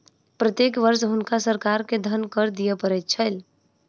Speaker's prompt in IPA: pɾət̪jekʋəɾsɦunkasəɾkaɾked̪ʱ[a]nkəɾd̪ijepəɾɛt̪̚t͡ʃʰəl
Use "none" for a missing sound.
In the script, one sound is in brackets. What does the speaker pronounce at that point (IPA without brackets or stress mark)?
ə